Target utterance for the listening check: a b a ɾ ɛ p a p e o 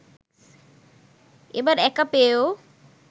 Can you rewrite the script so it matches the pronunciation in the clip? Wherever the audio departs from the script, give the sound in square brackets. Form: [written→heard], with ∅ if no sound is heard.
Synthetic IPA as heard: [a→e] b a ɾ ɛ [p→k] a p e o